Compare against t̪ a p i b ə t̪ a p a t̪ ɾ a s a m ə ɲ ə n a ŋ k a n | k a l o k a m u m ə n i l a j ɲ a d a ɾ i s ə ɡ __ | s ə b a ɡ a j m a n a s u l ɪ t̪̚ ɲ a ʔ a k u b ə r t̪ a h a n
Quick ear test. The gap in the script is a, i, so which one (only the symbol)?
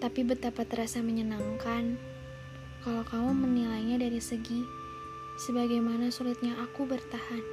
i